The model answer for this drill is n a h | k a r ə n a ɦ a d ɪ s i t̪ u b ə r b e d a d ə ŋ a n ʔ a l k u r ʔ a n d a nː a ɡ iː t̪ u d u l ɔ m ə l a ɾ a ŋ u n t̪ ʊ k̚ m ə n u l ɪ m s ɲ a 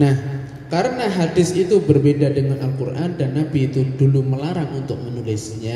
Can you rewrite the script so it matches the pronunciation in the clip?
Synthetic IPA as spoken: n a h | k a ɾ ə n a ɦ a d ɪ s i t̪ u b ə r b e d a d ə ŋ a n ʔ a l k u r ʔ a n d a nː a b iː t̪ u d u l u m ə l a ɾ a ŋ u n t̪ ʊ k̚ m ə n u l ɪ s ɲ a